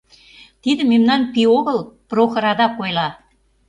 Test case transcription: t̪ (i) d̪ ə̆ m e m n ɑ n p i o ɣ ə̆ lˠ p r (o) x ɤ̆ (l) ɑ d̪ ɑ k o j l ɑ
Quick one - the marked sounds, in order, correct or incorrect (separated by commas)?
correct, correct, incorrect